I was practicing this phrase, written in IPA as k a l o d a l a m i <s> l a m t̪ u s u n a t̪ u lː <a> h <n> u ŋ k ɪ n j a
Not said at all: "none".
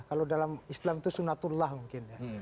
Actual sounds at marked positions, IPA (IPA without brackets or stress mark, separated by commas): s, a, m